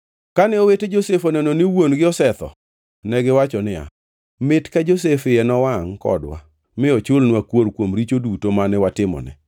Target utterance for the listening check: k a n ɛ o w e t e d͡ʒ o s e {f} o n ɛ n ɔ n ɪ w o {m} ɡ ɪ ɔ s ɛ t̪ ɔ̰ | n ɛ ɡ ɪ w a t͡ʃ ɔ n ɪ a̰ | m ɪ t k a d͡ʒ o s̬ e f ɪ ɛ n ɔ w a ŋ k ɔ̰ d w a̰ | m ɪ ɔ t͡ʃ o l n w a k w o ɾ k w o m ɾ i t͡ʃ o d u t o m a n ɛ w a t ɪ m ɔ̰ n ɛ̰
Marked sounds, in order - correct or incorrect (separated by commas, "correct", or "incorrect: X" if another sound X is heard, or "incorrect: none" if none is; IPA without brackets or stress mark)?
correct, incorrect: n